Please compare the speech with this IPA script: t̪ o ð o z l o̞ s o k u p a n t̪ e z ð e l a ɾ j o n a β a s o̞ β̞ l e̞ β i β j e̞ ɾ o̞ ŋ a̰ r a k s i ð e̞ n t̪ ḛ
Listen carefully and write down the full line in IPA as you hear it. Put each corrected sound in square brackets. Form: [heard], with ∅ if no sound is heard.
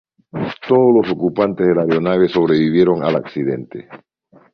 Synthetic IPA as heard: t̪ o ð o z l o̞ s o k u p a n t̪ e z ð e l a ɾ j o n a β [e] s o̞ β̞ [ɾ] e̞ β i β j e̞ ɾ o̞ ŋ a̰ [l] a k s i ð e̞ n t̪ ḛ